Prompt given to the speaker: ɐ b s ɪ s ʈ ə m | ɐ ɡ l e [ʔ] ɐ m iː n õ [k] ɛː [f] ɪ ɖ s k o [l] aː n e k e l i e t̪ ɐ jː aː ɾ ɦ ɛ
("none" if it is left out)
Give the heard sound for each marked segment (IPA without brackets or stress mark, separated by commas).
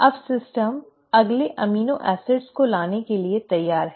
ʔ, ʔ, s, l